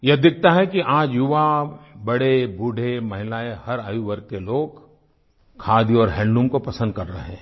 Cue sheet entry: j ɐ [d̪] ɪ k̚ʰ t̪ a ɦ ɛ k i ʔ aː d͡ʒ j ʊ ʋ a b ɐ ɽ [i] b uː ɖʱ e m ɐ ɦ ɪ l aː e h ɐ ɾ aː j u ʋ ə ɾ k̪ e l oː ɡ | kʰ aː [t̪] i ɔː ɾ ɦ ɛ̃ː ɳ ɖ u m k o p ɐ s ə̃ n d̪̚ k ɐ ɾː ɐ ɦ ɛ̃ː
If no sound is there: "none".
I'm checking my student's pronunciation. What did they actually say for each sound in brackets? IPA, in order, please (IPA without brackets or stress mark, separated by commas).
d̪, e, d̪